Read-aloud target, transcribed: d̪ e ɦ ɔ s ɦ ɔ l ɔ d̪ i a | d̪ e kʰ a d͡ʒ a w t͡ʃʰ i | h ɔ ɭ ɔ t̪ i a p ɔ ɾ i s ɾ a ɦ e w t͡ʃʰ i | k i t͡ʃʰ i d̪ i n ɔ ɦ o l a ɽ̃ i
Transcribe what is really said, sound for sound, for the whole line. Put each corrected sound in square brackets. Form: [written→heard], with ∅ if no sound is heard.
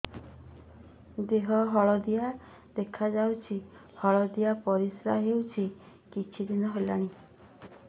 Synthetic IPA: d̪ e ɦ ɔ [s→∅] ɦ ɔ [l→ɭ] ɔ d̪ i a | d̪ e kʰ a d͡ʒ a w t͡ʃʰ i | h ɔ ɭ ɔ [t̪→d̪] i a p ɔ ɾ i s ɾ a ɦ e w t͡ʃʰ i | k i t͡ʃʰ i d̪ i n ɔ ɦ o l a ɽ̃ i